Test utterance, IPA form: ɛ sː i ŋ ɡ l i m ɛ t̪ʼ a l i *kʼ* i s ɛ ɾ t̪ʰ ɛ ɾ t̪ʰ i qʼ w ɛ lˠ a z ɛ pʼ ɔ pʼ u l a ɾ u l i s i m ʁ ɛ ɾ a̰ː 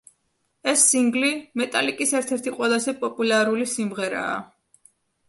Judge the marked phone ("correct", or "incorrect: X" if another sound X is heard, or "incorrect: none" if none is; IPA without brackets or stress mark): correct